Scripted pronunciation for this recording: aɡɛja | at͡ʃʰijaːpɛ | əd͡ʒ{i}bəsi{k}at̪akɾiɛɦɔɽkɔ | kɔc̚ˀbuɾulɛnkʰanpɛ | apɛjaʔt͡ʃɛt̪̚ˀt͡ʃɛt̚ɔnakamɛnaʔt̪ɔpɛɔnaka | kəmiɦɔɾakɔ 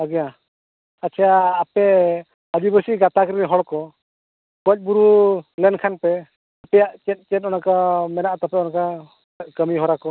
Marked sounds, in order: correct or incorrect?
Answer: correct, incorrect

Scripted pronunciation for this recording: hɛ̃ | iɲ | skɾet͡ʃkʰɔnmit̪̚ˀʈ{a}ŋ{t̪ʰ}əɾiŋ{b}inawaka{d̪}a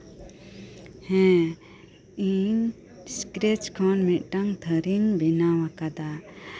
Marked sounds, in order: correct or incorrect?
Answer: correct, correct, correct, correct

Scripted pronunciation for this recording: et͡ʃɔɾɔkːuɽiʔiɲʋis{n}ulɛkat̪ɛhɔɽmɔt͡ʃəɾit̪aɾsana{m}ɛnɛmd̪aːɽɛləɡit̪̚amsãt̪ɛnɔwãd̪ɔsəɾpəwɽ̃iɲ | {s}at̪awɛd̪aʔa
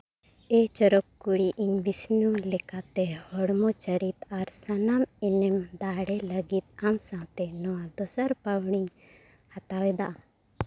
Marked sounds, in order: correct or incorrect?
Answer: correct, correct, incorrect

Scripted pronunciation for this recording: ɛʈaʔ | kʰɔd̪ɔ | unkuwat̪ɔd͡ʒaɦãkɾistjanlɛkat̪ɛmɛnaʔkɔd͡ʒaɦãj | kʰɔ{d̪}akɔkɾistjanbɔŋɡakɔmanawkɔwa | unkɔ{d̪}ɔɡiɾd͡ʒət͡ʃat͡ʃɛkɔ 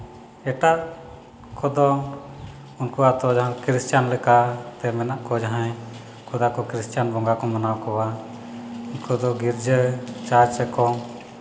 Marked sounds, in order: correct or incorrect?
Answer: correct, correct

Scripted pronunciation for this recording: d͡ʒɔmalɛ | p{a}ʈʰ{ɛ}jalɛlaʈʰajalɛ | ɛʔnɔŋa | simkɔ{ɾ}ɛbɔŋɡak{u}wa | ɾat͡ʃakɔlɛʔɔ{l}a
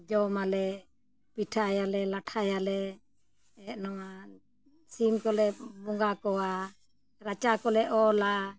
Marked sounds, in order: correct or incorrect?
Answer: incorrect, incorrect, incorrect, incorrect, correct

